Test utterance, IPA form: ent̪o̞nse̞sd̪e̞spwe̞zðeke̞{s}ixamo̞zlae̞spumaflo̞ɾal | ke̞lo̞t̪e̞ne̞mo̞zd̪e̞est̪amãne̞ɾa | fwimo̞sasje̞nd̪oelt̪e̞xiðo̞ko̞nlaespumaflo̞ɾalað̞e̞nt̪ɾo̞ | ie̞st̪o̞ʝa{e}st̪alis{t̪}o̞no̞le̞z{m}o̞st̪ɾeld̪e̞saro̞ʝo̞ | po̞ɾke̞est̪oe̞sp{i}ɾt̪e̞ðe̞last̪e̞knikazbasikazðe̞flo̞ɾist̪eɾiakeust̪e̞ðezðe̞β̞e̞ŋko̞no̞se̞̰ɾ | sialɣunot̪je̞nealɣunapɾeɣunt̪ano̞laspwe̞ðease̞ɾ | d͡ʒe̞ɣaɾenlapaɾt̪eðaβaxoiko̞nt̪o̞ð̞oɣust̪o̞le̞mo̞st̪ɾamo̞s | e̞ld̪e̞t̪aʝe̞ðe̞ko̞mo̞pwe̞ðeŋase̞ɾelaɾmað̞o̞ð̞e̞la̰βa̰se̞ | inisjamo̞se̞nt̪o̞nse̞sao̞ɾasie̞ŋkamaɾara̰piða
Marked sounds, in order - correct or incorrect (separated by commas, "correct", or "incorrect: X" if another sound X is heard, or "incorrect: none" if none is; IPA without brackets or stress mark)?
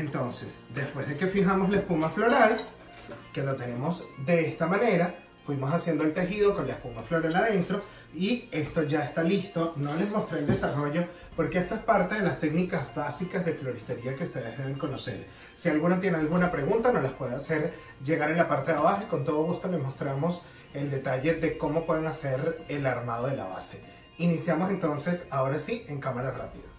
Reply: incorrect: f, correct, correct, correct, incorrect: a